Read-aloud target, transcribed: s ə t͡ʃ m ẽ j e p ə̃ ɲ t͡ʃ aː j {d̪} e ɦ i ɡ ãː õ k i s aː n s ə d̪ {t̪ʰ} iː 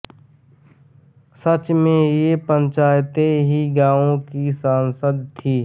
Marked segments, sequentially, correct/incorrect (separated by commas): incorrect, correct